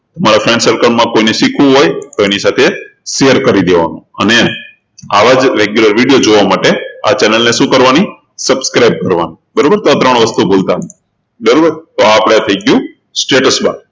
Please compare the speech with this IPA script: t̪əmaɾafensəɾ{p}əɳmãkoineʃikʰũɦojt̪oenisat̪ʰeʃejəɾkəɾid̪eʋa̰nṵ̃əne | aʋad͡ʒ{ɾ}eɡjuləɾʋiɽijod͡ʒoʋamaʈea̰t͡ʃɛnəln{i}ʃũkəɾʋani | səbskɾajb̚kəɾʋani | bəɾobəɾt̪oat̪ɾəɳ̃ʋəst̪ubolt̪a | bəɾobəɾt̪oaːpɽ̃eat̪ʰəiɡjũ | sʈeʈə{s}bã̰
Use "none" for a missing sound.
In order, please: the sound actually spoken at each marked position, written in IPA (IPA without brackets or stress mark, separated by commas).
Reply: k, ɾ, e, s